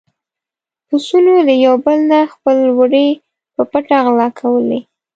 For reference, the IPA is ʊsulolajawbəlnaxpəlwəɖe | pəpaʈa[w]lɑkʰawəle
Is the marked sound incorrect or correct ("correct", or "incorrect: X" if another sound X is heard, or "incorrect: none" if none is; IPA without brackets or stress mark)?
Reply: incorrect: ɣ